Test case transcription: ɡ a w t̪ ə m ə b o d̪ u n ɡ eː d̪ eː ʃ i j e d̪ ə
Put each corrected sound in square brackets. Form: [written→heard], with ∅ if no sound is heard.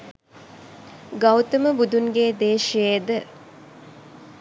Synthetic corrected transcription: ɡ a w t̪ ə m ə b [o→u] d̪ u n ɡ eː d̪ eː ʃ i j e d̪ ə